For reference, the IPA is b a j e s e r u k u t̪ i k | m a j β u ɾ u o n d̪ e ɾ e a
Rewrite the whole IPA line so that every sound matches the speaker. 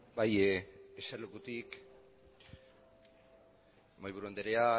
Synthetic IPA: b a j e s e l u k u t̪ i k | m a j β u ɾ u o n d̪ e ɾ e a